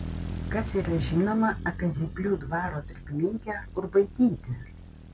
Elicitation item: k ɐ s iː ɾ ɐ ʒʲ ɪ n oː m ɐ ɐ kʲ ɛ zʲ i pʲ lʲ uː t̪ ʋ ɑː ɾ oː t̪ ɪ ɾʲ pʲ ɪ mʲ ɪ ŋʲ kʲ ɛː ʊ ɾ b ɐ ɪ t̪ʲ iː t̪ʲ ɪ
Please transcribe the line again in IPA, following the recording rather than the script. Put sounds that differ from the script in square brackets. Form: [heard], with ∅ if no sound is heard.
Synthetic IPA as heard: k ɐ s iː ɾ ɐ ʒʲ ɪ n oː m ɐ ɐ [pʲ] ɛ zʲ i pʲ lʲ uː [d̪] ʋ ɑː ɾ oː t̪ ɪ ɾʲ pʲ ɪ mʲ ɪ ŋʲ kʲ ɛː ʊ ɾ b ɐ ɪ t̪ʲ iː t̪ʲ ɪ